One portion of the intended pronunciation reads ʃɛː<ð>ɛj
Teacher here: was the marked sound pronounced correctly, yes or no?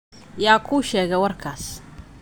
no